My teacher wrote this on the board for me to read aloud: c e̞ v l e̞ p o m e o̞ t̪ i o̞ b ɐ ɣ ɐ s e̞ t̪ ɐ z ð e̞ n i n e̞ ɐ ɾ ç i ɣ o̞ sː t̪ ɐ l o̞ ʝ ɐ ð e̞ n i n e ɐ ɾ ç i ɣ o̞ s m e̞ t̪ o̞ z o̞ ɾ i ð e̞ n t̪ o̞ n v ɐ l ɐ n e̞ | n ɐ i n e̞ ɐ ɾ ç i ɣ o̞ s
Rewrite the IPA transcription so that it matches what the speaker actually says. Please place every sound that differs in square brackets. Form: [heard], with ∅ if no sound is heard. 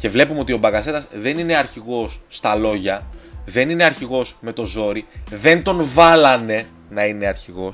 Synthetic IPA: c e̞ v l e̞ p [u] m e o̞ t̪ i o̞ b ɐ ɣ ɐ s e̞ t̪ ɐ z ð e̞ n i n e̞ ɐ ɾ ç i ɣ o̞ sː t̪ ɐ l o̞ ʝ ɐ ð e̞ n i n e ɐ ɾ ç i ɣ o̞ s m e̞ t̪ o̞ z o̞ ɾ i ð e̞ n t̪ o̞ n v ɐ l ɐ n e̞ | n ɐ i n e̞ ɐ ɾ ç i ɣ o̞ s